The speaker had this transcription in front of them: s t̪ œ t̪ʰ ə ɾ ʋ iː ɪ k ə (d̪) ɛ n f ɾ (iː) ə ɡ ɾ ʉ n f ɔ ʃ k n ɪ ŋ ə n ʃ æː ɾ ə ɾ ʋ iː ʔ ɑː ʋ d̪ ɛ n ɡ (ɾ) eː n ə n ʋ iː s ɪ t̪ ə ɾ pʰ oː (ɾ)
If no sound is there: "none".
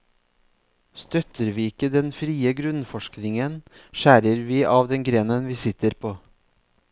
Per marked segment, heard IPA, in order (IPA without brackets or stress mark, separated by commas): d̪, iː, ɾ, none